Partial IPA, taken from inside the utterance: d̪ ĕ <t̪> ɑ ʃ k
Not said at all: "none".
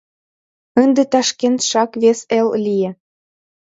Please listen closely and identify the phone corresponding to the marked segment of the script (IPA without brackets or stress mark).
t̪